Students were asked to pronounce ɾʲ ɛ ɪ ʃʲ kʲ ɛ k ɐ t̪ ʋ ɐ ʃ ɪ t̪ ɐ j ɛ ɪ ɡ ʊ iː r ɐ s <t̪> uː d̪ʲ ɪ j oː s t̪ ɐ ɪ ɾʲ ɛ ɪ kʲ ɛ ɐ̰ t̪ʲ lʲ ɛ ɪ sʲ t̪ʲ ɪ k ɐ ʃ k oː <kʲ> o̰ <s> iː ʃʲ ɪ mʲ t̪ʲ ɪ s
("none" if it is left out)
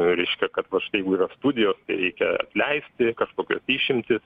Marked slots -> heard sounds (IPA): t̪, kʲ, s

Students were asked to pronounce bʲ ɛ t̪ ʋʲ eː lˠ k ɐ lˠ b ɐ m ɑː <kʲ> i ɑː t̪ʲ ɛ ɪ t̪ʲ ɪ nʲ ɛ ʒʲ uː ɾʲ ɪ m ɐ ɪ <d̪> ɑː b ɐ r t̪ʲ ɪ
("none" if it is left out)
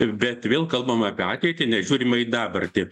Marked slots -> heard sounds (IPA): pʲ, d̪

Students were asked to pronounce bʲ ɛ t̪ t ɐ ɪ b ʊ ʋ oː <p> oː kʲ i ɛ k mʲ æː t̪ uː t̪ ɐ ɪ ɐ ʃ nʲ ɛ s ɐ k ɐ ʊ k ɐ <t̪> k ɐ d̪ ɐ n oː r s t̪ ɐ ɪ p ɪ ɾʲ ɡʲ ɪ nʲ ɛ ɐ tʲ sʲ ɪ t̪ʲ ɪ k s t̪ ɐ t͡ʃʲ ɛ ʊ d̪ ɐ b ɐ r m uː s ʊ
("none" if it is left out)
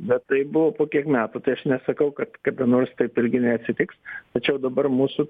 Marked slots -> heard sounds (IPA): p, t̪

